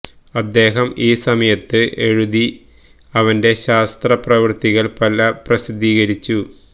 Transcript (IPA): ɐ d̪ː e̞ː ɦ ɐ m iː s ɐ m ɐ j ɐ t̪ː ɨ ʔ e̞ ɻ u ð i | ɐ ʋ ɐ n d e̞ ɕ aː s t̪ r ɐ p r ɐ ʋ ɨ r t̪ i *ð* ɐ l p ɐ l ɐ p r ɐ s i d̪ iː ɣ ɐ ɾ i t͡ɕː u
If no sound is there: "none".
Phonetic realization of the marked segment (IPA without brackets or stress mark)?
ɣ